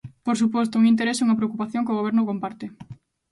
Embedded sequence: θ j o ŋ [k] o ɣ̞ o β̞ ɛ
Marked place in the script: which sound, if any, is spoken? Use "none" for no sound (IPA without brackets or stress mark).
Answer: k